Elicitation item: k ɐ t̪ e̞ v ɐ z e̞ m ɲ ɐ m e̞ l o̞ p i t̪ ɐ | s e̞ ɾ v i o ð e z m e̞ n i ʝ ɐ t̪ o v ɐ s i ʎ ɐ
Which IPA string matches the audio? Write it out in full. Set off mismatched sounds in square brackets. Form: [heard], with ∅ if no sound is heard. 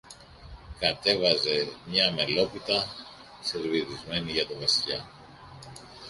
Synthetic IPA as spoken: k ɐ t̪ e̞ v ɐ z e̞ m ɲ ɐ m e̞ l o̞ p i t̪ ɐ | s e̞ ɾ v i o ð [i] z m e̞ n i ʝ ɐ t̪ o v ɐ s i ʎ ɐ